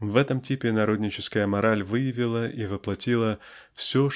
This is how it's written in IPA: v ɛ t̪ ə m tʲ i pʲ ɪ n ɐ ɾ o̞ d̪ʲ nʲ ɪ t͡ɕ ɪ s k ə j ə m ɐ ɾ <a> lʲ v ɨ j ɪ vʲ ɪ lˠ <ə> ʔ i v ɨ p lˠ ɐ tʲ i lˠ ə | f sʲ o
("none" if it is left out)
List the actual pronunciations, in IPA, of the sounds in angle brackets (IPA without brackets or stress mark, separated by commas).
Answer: a, ə